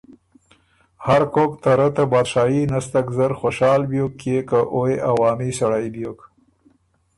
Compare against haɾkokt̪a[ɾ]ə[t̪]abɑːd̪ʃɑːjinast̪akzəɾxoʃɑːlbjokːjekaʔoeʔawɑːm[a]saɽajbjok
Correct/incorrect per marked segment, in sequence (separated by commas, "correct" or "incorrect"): correct, correct, incorrect